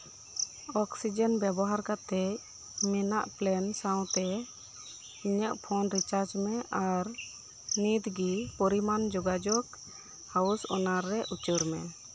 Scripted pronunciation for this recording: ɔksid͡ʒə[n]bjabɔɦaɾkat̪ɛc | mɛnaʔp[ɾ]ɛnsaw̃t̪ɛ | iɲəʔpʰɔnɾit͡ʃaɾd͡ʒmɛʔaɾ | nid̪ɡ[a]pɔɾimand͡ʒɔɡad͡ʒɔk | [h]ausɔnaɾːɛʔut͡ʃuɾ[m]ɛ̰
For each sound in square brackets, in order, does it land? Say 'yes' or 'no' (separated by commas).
yes, no, no, yes, yes